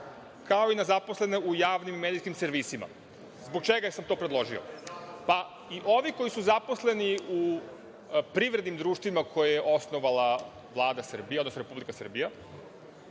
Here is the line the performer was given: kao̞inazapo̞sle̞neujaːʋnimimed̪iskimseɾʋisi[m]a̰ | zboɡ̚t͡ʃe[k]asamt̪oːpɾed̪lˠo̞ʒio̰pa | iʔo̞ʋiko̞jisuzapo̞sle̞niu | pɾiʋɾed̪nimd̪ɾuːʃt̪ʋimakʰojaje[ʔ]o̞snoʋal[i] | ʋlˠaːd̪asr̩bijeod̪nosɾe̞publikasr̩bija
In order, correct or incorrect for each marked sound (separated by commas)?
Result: correct, incorrect, correct, incorrect